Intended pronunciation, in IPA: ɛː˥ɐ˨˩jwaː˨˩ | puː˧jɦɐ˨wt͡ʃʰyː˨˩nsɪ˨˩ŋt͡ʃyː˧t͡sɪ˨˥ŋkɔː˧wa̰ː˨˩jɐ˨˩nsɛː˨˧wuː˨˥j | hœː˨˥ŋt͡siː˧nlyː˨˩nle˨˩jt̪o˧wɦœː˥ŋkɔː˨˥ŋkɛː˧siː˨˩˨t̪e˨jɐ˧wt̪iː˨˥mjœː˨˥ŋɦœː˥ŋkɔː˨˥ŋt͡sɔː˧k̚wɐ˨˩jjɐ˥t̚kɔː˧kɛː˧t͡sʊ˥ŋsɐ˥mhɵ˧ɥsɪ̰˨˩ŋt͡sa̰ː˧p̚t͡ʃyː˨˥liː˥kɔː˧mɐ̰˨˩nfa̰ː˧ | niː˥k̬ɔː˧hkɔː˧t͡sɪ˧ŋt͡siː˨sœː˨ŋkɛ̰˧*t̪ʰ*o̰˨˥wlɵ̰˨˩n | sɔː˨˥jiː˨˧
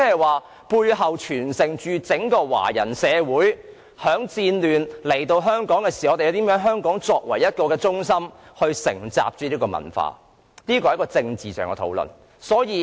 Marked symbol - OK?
yes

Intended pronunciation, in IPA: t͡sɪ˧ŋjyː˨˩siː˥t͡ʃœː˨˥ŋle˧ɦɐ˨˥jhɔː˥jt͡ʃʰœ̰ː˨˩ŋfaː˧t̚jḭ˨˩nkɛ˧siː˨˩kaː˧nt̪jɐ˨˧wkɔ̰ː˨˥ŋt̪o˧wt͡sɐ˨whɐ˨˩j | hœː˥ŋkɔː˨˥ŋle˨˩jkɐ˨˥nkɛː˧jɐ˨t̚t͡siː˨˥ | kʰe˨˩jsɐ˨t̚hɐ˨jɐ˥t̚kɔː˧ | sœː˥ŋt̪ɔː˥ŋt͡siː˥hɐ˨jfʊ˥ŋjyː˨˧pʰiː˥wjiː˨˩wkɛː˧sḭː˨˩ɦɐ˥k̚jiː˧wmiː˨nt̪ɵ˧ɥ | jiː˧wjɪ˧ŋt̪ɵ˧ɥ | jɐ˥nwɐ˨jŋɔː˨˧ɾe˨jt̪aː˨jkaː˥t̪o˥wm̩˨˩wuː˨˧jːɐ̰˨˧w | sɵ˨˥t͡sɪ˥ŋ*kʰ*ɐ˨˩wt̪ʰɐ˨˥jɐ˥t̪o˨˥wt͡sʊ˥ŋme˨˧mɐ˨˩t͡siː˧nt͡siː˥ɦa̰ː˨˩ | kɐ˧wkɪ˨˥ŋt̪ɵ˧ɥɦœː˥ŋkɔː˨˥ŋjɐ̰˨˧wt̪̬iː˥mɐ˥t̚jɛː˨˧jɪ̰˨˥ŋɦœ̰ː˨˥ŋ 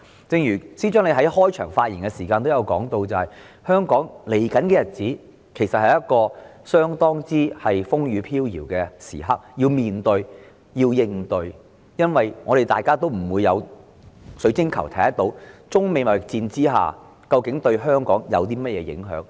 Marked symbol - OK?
yes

